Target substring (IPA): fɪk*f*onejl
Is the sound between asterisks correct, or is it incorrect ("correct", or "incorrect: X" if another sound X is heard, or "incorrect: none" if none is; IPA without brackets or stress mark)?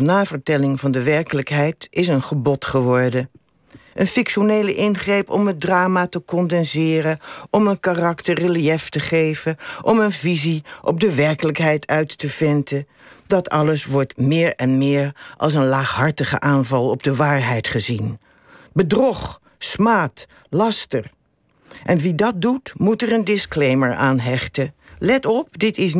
incorrect: ʃ